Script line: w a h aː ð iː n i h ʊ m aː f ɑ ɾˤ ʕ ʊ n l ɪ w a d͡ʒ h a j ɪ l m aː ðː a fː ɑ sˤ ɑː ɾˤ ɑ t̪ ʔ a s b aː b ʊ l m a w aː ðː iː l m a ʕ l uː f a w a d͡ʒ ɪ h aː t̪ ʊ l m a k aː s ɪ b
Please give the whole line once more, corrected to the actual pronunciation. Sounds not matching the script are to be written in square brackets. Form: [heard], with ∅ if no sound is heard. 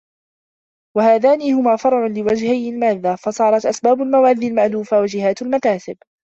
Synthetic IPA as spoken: w a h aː ð [aː] n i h ʊ m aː f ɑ ɾˤ ʕ ʊ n l ɪ w a d͡ʒ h a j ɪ l m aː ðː a [f] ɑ sˤ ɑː ɾˤ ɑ t̪ ʔ a s b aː b ʊ l m a w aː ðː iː l m a ʕ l uː f a w a d͡ʒ ɪ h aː t̪ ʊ l m a k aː s ɪ b